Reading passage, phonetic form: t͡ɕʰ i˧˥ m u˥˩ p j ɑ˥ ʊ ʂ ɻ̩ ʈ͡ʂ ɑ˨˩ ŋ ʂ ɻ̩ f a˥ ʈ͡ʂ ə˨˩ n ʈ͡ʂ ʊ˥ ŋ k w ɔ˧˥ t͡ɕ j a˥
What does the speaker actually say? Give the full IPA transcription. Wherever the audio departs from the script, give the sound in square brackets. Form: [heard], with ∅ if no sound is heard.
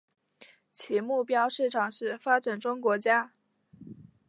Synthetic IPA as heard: t͡ɕʰ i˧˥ m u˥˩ p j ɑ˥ ʊ ʂ ɻ̩ [ʈ͡ʂʰ] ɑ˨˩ ŋ ʂ ɻ̩ f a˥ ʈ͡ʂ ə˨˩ n ʈ͡ʂ ʊ˥ ŋ k w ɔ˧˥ t͡ɕ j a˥